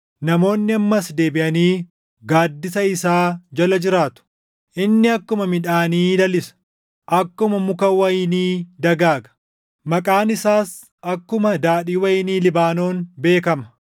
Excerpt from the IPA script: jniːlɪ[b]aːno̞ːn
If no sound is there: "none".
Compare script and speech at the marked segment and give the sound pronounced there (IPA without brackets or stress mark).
b